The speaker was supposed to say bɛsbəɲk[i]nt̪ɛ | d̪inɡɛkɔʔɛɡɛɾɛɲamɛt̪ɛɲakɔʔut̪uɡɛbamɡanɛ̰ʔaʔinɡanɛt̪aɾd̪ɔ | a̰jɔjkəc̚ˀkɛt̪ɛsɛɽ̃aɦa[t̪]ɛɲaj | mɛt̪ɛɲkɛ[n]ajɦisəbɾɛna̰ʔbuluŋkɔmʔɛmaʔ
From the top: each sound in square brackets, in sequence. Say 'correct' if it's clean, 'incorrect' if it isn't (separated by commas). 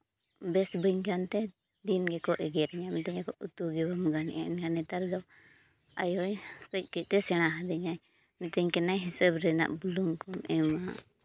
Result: incorrect, incorrect, correct